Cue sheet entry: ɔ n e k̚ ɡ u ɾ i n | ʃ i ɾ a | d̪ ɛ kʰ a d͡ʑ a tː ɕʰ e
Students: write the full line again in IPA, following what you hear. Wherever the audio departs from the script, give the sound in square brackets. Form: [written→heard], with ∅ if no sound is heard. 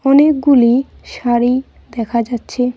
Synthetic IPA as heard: ɔ n e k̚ ɡ u [ɾ→l] i [n→∅] | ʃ [i→a] ɾ [a→i] | d̪ ɛ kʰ a d͡ʑ a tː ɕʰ e